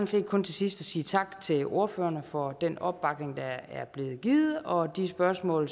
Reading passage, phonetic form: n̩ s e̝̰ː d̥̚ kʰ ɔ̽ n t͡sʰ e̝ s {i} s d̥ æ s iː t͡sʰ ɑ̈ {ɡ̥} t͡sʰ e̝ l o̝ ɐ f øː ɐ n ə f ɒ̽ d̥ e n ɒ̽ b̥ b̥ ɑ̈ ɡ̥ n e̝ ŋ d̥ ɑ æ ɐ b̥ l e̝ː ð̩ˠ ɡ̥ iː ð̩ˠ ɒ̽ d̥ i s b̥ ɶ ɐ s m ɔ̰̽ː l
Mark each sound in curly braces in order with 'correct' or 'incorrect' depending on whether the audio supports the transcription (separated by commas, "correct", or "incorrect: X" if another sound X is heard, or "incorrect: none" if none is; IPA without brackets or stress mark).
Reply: correct, correct